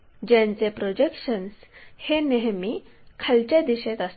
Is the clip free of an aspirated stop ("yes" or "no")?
no